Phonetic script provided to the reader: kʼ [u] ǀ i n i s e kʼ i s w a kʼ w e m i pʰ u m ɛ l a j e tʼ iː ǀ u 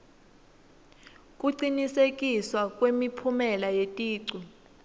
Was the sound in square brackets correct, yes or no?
yes